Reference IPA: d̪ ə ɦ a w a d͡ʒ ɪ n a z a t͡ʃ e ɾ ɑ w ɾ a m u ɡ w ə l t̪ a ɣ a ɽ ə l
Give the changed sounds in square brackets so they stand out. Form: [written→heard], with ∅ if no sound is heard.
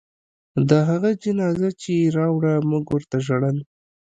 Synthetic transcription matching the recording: d̪ ə ɦ a [w→ɣ] a d͡ʒ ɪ n [a→ɑ] z a t͡ʃ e ɾ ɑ w [ɾ→ɽ] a m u ɡ w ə [l→ɾ] t̪ a [ɣ→ʒ] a ɽ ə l